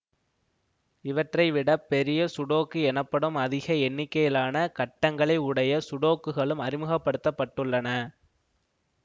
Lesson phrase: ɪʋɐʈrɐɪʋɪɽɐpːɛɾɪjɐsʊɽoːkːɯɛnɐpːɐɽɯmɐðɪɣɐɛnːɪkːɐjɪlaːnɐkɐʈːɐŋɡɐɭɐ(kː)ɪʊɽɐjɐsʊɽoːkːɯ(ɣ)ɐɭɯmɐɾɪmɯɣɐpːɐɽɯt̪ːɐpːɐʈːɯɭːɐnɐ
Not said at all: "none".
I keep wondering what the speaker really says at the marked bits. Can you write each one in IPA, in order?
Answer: none, ɣ

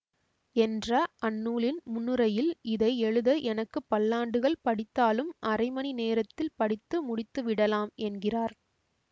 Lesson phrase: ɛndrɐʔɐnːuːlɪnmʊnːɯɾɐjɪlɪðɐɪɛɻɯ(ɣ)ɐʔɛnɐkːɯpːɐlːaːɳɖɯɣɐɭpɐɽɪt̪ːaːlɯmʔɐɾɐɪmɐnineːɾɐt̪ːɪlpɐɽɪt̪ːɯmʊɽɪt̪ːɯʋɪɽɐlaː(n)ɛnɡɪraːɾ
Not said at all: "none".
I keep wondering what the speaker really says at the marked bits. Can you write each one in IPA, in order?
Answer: ð, m

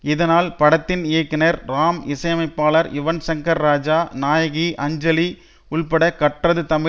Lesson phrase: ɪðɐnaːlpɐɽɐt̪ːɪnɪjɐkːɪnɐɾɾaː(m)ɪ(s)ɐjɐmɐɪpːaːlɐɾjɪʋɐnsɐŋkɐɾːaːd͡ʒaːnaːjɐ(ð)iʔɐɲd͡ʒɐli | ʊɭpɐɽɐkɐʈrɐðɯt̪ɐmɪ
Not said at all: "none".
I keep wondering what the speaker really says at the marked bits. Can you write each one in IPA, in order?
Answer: m, s, ɣ

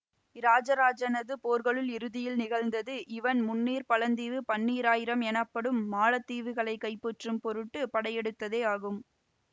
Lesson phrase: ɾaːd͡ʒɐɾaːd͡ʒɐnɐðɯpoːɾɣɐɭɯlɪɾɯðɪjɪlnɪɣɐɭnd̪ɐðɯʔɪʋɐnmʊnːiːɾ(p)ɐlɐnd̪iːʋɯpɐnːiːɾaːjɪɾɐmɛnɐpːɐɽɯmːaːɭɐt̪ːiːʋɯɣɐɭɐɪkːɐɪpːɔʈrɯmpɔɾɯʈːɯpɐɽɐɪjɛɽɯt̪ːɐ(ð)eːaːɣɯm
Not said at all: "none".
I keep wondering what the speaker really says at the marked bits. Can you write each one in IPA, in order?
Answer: p, ð

